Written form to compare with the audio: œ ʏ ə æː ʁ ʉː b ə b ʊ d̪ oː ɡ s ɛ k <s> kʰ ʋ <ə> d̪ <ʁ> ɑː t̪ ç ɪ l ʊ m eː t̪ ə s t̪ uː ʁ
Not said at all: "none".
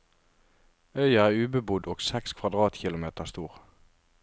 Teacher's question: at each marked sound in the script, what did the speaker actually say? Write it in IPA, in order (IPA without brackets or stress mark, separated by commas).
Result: s, ɑ, ʁ